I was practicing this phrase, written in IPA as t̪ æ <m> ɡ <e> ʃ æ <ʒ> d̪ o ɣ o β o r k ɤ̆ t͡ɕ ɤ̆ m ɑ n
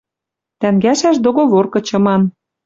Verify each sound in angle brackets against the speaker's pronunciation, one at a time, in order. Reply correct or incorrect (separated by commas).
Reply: incorrect, incorrect, incorrect